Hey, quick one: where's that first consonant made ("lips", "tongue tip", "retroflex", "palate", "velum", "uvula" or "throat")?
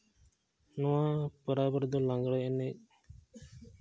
tongue tip